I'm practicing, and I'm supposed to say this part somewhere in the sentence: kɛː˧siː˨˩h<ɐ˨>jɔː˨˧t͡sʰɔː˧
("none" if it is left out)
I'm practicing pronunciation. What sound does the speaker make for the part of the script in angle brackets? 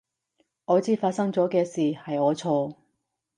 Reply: ɐ˨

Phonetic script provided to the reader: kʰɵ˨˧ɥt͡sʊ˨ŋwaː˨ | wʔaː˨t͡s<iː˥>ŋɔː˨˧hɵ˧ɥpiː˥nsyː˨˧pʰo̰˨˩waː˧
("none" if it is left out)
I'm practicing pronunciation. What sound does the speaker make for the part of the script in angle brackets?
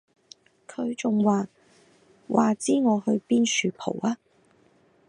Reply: iː˥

